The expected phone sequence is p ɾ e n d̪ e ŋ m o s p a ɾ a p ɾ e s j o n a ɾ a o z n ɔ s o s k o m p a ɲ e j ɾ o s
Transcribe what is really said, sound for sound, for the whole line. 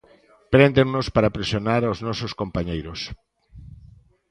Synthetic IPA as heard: p ɾ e n d̪ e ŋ n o s p a ɾ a p ɾ e s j o n a ɾ a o z n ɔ s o s k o m p a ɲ e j ɾ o s